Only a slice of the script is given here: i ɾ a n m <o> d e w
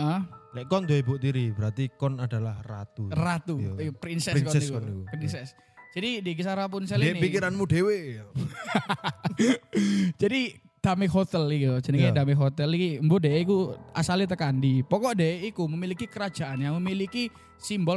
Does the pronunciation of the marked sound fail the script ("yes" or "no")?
yes